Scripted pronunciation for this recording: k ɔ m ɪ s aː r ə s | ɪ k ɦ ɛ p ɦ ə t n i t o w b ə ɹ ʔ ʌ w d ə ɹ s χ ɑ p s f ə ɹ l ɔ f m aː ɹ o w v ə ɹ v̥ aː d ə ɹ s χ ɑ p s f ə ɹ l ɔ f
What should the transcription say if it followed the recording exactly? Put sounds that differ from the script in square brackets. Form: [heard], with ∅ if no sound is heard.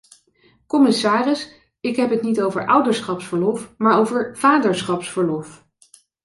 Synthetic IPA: k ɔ m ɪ s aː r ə s | ɪ k ɦ ɛ p ɦ ə t n i t o w [v] ə ɹ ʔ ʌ w d ə ɹ s χ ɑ p s f ə ɹ l ɔ f m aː ɹ o w v ə ɹ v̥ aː d ə ɹ s χ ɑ p s f ə ɹ l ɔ f